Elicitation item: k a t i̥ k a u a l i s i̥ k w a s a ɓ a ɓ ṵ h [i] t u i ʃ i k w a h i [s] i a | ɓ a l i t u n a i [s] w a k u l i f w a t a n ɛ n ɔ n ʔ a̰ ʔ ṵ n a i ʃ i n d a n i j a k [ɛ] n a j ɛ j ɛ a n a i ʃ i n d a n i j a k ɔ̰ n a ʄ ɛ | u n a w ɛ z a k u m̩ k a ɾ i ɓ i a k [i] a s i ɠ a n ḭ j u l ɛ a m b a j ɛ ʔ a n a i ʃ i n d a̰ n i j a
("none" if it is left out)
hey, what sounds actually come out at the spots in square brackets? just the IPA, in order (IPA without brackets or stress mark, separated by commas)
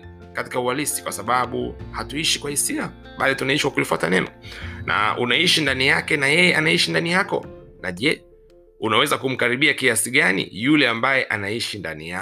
a, s, ʃ, ɛ, i